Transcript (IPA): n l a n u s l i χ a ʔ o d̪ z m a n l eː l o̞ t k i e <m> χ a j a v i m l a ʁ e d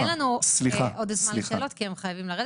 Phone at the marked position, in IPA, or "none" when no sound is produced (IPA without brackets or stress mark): m